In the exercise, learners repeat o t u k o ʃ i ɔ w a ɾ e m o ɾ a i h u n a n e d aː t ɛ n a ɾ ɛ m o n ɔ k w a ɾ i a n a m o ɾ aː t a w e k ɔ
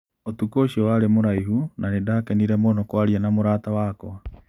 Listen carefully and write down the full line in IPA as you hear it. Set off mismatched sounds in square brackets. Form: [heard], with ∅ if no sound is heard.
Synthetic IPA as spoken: o t u k o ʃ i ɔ w a ɾ e m o ɾ a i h u n a n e d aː [k] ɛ n [i] ɾ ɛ m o n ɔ k w a ɾ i a n a m o ɾ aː t a w [a] k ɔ